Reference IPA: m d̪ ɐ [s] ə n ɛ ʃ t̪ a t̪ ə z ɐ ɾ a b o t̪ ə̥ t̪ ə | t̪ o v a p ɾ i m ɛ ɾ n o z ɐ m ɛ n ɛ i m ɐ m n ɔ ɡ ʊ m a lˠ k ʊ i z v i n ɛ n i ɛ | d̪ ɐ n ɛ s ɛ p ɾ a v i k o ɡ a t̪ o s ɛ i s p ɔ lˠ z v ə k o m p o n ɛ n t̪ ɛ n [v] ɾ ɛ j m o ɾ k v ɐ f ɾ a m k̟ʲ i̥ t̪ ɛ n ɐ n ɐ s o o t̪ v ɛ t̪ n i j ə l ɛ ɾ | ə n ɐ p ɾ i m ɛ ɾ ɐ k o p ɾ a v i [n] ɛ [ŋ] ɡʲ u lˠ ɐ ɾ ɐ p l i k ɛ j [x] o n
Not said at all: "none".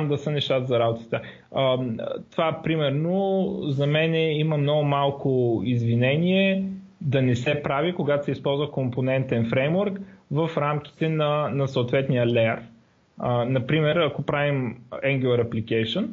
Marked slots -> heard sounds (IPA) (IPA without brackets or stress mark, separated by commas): s, f, m, ŋ, ʃ